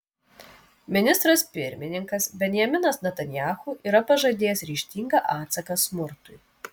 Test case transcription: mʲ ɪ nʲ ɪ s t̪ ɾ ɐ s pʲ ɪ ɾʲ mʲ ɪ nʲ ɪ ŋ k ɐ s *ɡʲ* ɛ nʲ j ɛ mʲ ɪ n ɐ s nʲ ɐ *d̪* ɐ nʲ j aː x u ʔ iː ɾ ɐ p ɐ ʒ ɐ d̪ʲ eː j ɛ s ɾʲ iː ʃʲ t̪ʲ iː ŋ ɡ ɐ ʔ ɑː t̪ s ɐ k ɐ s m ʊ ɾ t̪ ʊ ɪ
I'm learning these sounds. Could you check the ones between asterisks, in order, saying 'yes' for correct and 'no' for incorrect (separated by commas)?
no, no